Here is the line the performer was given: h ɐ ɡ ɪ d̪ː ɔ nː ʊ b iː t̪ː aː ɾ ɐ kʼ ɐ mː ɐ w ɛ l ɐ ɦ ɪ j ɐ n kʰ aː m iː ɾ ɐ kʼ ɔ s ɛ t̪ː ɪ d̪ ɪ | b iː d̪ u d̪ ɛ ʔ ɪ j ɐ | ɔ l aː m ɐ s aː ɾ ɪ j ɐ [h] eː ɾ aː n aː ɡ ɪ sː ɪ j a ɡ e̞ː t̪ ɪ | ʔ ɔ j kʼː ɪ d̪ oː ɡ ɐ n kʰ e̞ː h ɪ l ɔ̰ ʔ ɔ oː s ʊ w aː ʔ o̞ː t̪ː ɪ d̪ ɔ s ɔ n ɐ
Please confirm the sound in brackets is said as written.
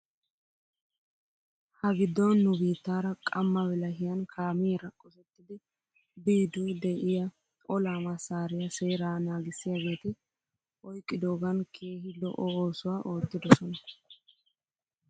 no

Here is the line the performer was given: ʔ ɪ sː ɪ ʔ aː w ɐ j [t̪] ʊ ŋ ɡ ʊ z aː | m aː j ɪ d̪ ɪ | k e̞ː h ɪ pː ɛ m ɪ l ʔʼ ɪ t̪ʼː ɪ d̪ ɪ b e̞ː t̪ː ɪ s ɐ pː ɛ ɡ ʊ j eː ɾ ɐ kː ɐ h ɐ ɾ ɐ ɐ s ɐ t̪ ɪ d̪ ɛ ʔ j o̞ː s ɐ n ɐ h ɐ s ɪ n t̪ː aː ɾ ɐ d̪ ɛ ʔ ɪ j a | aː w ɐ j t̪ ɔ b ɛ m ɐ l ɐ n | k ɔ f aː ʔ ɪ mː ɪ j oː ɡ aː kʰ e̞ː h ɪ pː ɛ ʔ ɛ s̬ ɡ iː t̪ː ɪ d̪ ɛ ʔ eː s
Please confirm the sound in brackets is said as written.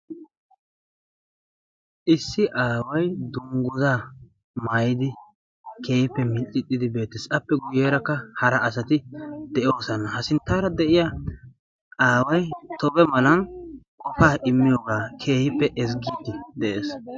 no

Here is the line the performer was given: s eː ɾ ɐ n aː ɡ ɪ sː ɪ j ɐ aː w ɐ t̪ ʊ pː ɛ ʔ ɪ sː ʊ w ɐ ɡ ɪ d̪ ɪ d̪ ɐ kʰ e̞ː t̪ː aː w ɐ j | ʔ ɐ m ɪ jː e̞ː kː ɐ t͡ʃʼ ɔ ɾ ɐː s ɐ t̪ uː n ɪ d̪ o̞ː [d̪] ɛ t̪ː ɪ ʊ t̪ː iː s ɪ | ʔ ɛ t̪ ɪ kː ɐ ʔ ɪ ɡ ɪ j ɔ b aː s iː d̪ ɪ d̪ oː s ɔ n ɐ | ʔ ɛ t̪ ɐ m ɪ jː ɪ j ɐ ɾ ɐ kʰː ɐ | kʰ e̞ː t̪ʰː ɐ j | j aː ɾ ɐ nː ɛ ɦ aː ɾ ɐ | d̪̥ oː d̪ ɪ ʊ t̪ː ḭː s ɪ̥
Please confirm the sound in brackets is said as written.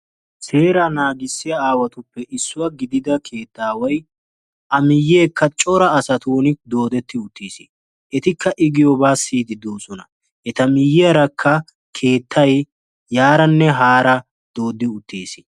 yes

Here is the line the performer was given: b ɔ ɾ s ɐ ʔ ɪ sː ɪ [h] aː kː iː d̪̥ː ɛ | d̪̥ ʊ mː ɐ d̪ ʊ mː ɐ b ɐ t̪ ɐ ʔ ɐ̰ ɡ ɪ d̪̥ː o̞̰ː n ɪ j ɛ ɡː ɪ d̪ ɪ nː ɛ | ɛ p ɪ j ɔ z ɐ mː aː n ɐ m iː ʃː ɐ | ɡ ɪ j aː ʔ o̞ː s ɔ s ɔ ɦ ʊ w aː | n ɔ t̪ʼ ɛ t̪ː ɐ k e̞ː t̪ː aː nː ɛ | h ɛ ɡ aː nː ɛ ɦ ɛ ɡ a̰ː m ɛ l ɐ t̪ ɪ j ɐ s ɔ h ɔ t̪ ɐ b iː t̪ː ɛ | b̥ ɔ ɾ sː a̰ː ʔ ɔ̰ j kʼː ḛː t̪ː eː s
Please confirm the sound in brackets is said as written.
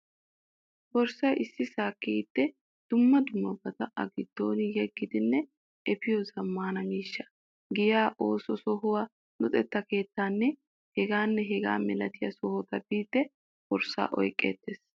no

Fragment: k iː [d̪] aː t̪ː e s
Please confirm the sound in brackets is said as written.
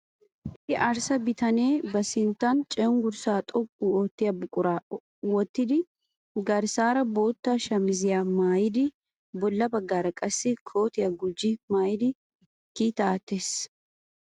no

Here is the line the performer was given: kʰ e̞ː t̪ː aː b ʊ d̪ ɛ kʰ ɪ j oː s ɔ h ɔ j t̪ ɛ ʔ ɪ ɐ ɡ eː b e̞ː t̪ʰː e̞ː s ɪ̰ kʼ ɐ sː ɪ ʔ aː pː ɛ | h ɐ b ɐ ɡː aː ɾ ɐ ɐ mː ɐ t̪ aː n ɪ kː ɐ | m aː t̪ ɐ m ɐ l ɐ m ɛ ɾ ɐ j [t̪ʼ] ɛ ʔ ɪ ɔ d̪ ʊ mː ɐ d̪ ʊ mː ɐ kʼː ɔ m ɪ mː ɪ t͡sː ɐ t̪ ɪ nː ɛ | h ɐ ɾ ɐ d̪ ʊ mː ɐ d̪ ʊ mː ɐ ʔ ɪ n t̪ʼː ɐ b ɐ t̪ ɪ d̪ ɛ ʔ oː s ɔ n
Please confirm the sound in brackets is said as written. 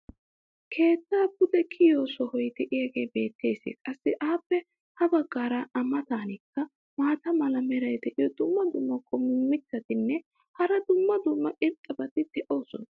no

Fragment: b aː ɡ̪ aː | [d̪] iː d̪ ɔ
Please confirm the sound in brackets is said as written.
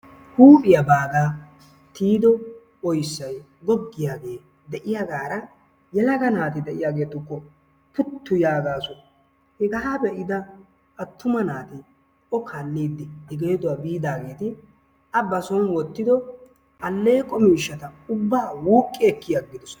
no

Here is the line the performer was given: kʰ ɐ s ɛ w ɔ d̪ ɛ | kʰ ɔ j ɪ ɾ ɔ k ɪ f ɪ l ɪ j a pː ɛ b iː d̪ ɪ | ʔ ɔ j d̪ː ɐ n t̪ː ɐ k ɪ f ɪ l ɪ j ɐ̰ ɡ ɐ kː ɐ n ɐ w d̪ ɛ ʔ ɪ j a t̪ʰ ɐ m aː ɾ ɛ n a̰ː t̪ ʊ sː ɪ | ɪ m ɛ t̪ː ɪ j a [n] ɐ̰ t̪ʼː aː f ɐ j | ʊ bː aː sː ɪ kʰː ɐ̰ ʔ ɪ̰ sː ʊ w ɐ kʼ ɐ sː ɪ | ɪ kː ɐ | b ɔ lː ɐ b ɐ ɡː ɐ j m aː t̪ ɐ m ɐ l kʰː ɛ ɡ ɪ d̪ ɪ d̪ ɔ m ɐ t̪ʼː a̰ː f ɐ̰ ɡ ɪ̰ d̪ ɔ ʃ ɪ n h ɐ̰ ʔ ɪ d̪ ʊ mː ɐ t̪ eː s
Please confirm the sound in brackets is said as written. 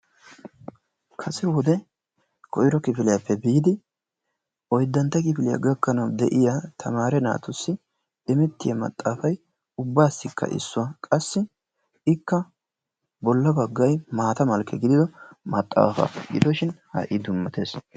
no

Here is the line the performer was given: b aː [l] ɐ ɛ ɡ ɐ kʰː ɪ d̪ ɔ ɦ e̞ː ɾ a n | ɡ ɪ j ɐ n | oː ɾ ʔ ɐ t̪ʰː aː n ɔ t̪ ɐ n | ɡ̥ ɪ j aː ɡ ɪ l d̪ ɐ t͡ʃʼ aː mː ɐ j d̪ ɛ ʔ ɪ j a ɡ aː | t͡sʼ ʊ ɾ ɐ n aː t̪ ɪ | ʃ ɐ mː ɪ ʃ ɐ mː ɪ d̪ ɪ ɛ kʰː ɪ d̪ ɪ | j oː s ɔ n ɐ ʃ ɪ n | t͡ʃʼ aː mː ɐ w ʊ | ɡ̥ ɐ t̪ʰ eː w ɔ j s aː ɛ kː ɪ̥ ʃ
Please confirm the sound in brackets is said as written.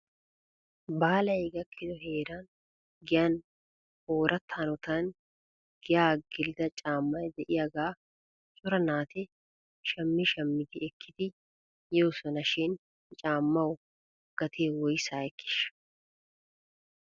yes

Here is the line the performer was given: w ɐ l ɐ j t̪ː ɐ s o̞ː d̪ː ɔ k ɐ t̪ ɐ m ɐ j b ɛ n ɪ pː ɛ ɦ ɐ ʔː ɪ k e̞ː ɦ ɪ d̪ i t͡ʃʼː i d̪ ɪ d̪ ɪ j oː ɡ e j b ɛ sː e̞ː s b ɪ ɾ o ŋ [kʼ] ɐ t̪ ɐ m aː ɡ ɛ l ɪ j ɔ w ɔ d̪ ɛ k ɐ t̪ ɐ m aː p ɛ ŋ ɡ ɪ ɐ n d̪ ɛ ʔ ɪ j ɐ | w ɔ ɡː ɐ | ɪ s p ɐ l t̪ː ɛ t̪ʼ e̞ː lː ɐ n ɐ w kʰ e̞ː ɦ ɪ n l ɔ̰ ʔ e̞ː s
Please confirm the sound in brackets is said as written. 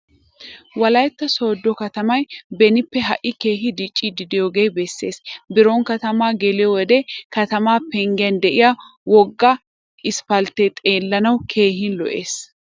no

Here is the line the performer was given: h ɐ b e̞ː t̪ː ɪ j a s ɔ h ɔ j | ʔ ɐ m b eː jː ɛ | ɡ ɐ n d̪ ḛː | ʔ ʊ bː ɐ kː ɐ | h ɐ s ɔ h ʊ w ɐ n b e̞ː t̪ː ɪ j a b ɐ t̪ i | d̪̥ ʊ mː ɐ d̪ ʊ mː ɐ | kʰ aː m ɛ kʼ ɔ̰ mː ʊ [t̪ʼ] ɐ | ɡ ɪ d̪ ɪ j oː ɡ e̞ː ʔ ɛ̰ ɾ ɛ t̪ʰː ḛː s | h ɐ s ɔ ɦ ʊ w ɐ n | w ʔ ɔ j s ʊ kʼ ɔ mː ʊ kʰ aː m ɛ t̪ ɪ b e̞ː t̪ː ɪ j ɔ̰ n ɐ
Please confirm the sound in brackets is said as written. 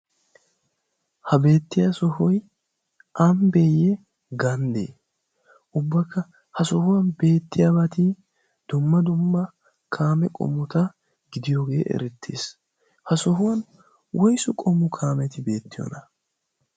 no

